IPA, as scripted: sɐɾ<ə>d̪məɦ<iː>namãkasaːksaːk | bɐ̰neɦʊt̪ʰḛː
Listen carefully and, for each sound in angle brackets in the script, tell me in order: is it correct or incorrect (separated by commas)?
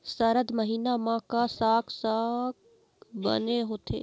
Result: correct, correct